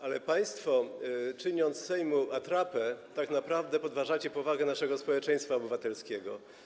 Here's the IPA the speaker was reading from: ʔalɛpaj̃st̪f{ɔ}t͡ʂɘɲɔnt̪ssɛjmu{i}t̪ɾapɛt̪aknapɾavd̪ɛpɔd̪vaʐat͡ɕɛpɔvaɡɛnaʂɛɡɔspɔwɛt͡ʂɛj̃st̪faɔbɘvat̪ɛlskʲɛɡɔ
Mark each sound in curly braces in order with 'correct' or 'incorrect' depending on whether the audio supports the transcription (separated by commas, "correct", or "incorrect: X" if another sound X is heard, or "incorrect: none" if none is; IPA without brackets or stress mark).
correct, incorrect: a